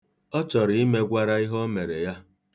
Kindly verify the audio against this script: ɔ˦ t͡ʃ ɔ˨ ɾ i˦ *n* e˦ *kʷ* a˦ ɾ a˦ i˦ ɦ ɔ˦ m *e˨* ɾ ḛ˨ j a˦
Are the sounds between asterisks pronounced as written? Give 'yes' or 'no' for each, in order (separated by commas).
no, no, yes